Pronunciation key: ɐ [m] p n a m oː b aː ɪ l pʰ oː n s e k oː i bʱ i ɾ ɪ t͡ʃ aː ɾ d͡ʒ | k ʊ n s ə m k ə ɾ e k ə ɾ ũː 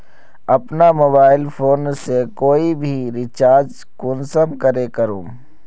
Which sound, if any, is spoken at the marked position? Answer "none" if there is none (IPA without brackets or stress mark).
none